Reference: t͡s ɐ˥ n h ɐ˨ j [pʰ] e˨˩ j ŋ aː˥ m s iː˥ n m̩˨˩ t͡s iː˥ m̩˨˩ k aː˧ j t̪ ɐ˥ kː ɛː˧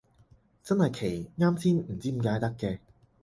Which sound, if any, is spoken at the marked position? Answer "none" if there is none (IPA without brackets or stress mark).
kʰ